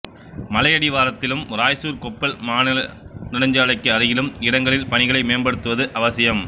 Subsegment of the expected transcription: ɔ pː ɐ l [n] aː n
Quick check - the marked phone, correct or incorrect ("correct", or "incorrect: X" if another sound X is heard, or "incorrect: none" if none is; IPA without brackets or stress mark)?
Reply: incorrect: m